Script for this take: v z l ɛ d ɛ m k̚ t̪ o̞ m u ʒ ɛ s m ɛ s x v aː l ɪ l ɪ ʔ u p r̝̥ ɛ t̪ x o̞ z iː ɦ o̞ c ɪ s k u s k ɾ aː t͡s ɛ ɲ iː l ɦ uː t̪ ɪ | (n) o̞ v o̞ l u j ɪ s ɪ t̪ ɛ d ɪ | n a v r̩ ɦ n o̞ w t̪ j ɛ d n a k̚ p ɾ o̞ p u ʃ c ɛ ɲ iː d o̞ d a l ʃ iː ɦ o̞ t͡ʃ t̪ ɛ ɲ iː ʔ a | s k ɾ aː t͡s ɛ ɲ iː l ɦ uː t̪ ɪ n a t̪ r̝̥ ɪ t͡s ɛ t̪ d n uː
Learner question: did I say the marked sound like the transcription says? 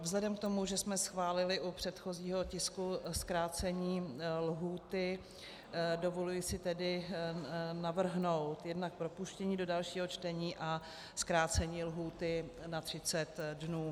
no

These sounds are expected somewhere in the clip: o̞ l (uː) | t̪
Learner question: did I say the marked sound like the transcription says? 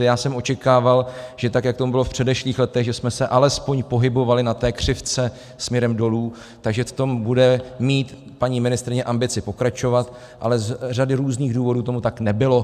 yes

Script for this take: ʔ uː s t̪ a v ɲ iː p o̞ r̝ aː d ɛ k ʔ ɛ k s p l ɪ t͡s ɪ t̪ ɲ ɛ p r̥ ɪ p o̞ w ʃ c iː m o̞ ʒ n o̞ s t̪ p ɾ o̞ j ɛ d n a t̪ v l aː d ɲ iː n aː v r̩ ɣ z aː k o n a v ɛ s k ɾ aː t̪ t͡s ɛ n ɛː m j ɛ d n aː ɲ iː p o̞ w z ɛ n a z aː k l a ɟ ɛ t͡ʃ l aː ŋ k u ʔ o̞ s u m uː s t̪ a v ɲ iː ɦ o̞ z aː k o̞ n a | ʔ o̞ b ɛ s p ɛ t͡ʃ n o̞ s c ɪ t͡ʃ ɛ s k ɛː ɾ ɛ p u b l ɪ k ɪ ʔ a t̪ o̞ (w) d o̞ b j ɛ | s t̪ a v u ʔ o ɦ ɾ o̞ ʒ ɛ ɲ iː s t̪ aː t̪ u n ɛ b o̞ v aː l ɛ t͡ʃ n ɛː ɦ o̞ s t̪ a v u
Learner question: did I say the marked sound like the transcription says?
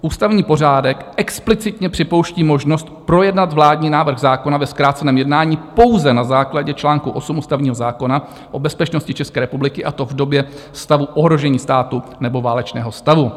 no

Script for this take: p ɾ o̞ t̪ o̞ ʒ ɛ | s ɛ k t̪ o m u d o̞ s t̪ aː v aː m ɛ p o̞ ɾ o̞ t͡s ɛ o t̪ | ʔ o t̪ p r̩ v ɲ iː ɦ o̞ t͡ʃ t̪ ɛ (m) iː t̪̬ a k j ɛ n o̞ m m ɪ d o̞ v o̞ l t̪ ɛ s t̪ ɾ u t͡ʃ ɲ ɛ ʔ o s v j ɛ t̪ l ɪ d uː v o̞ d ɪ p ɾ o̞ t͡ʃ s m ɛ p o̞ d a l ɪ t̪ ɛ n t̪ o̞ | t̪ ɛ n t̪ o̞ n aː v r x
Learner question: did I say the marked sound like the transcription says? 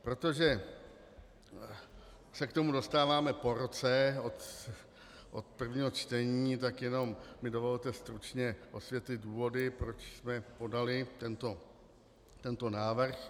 no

